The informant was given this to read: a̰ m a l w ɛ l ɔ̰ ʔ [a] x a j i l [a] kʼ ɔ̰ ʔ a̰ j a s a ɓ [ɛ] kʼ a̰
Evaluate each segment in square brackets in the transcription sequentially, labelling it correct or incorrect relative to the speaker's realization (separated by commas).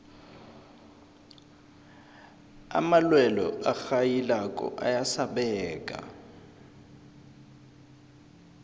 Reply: correct, correct, incorrect